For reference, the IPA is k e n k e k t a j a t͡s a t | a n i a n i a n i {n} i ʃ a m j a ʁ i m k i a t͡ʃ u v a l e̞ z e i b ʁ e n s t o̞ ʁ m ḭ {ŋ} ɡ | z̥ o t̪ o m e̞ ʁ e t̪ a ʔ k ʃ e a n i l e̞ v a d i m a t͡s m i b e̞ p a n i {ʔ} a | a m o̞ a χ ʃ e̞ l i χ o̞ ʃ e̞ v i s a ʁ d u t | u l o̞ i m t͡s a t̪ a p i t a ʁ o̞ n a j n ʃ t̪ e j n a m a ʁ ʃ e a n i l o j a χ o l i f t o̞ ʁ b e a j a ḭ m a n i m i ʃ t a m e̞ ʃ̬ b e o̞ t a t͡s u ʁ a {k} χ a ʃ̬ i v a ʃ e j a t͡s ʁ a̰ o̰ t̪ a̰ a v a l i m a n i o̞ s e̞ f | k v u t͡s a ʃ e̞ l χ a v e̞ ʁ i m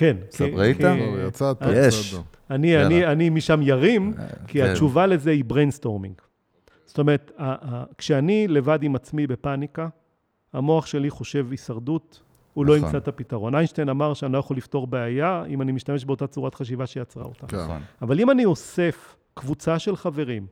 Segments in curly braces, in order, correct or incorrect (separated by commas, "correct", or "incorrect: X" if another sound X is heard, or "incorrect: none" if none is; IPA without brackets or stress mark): incorrect: m, correct, incorrect: k, incorrect: t